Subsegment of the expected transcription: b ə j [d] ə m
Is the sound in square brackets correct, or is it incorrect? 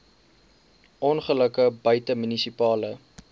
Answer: incorrect